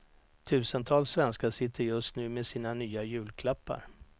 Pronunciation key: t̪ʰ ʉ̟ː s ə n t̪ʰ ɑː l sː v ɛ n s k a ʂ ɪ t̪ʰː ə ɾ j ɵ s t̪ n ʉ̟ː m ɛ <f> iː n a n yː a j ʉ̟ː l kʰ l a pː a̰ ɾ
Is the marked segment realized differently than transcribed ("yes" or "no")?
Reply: yes